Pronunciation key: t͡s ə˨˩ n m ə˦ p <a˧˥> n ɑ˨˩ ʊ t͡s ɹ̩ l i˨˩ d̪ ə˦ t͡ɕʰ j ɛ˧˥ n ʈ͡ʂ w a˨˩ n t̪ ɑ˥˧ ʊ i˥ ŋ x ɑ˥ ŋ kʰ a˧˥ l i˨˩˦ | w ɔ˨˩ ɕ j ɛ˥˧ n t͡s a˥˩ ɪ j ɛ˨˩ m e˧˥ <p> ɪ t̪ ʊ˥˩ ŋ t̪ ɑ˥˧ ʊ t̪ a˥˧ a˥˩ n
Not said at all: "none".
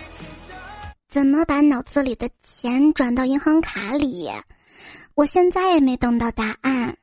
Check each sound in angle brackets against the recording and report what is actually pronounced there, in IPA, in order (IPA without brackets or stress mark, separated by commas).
a˧˥, none